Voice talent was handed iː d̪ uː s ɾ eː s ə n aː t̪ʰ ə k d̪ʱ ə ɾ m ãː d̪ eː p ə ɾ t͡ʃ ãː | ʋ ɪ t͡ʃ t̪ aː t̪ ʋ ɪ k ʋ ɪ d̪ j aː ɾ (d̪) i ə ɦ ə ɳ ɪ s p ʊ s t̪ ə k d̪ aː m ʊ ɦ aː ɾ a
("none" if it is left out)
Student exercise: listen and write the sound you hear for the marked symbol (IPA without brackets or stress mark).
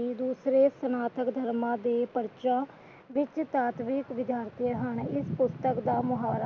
t̪